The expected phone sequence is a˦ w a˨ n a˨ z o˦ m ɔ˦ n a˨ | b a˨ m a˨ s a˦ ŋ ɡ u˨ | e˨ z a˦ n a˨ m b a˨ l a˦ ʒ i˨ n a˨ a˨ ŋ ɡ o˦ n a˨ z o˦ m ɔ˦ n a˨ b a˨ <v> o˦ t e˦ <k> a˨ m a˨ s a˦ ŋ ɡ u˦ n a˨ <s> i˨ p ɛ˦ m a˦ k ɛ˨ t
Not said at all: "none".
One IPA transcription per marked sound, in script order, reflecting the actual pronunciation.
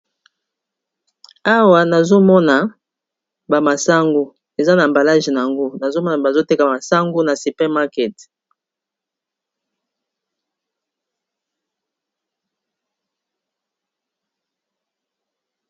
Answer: z, k, s

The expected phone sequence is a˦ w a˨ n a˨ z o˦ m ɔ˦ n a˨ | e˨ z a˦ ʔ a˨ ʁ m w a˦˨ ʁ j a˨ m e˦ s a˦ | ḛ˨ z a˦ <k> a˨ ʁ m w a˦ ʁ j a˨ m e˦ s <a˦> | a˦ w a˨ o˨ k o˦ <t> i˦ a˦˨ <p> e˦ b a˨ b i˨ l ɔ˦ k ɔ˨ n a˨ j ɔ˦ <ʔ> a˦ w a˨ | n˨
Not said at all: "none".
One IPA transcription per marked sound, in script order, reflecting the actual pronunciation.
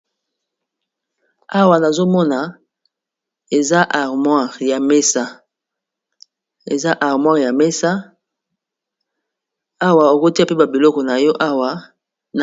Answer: ʔ, a˦, t, p, ʔ

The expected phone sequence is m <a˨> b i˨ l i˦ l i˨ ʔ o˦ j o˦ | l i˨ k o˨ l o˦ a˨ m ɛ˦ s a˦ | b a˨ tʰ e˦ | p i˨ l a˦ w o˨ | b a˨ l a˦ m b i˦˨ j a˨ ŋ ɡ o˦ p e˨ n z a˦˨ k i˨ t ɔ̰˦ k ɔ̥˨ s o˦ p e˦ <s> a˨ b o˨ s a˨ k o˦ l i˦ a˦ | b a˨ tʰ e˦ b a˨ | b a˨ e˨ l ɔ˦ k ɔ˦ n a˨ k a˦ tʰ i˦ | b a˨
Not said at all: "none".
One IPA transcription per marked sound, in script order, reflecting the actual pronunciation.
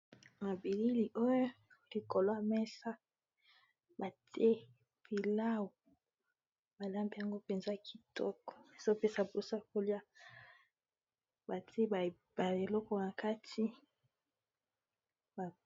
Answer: a˨, s

